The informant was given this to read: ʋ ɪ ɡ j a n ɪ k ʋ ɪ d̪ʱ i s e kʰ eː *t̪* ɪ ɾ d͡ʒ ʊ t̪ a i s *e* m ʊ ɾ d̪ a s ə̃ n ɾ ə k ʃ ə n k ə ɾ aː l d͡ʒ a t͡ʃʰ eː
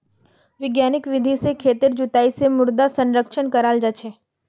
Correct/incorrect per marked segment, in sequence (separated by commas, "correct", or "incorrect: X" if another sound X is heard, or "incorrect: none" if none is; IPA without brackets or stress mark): correct, correct